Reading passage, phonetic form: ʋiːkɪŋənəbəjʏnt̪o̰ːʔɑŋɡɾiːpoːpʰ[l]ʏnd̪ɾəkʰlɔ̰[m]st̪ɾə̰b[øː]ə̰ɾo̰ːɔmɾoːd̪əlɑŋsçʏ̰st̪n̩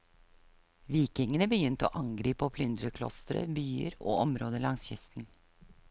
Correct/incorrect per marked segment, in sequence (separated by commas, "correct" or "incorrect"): correct, incorrect, incorrect